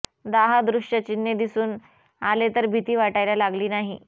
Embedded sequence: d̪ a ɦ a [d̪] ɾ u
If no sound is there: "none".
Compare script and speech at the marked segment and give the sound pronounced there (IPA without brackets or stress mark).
d̪